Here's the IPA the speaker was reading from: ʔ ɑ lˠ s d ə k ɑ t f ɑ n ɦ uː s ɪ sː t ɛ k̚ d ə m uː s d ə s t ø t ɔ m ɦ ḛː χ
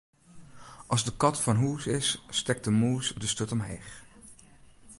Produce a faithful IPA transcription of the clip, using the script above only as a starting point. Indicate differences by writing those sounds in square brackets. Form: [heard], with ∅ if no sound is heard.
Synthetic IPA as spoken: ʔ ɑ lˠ [z] d ə k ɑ t f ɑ n ɦ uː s ɪ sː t ɛ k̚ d ə m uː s d ə s t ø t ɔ m ɦ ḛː χ